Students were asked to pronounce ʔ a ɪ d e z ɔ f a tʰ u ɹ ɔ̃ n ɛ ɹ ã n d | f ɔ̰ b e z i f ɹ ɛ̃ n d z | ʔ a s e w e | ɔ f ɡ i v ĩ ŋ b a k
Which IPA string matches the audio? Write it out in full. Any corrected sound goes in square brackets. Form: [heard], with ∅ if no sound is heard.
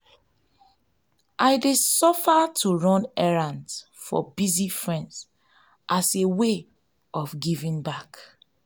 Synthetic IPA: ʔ a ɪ d e [s] ɔ f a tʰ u ɹ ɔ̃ n ɛ ɹ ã n d | f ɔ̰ b [i] z i f ɹ ɛ̃ n d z | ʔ a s e w e | ɔ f ɡ i v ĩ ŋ b a k